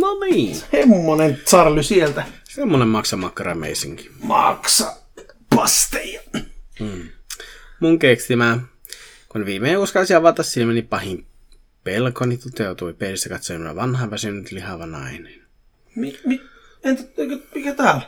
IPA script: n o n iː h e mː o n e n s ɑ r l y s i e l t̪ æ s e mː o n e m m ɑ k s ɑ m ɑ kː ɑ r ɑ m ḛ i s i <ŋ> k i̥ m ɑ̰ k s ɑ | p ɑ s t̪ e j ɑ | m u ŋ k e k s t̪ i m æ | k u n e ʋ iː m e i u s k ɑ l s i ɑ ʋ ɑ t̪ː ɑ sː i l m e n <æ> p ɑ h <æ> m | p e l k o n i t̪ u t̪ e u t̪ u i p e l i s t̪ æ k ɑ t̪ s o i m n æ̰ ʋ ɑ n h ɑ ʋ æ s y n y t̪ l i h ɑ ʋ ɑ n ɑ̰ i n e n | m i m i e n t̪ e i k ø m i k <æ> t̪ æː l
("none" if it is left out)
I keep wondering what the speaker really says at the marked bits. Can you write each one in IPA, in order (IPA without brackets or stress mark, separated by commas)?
ŋ, i, i, æ